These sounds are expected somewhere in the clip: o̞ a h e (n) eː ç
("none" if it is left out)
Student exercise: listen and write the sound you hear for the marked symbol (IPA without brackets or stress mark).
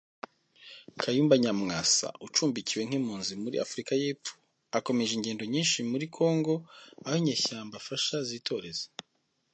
ɲ